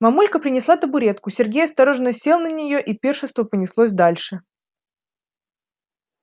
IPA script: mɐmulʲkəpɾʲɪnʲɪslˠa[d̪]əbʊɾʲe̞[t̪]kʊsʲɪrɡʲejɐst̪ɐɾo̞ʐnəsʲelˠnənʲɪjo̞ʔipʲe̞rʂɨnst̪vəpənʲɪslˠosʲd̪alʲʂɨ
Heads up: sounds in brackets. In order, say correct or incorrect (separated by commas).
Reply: incorrect, correct